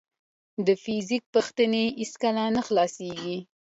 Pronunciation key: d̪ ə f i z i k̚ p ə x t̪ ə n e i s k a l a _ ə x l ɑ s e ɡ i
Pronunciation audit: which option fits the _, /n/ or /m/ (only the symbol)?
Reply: n